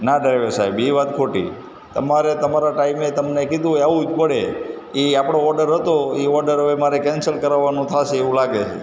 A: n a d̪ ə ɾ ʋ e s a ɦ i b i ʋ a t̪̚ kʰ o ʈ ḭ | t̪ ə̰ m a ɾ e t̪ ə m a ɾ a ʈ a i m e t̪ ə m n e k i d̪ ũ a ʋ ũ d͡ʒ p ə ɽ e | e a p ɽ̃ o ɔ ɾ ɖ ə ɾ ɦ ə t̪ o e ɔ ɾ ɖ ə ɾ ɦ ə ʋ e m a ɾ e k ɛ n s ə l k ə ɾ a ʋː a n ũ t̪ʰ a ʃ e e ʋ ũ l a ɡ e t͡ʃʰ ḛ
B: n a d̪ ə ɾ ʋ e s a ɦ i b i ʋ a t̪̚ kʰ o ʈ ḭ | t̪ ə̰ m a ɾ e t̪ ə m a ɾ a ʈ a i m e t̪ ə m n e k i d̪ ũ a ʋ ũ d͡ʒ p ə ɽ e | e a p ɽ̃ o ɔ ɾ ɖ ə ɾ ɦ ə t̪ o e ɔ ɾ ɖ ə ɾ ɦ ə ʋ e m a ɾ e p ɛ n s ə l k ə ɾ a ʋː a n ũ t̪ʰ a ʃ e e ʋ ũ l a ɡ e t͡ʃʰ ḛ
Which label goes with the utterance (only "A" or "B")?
A